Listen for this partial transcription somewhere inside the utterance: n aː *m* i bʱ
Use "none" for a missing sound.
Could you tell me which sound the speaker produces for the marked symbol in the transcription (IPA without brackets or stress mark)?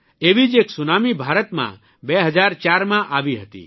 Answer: m